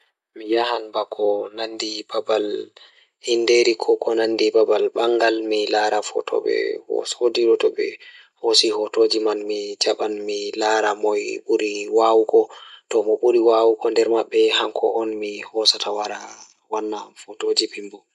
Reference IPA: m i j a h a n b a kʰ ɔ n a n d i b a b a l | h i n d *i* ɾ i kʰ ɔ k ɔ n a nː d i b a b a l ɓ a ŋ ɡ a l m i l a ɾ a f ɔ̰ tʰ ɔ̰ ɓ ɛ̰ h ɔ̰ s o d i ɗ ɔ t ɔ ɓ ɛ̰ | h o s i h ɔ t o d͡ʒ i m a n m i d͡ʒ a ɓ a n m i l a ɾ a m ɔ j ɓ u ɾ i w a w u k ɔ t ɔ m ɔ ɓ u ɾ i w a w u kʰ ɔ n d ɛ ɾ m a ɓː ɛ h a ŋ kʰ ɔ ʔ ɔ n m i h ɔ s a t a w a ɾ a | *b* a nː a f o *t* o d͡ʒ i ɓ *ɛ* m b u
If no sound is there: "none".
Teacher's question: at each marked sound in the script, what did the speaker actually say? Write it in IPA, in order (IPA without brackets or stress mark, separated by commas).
e, w, t, i